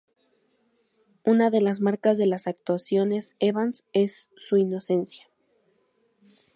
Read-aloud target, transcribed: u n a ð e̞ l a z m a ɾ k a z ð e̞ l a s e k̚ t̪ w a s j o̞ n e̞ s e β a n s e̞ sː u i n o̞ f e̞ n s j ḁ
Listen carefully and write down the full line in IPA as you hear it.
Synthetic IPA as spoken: u n a ð e̞ l a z m a ɾ k a z ð e̞ l a s a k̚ t̪ w a s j o̞ n e̞ s e β a n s e̞ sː u i n o̞ s e̞ n s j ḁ